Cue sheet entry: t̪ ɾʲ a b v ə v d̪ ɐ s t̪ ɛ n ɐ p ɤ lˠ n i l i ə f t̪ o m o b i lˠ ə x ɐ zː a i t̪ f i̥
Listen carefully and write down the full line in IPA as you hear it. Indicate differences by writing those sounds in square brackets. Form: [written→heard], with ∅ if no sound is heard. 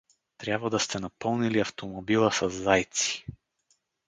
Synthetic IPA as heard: t̪ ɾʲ a b v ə [v→∅] d̪ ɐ s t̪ ɛ n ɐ p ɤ lˠ n i l i [ə→ɐ] f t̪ o m o b i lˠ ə [x→s] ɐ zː a [i→j] t̪ [f→s] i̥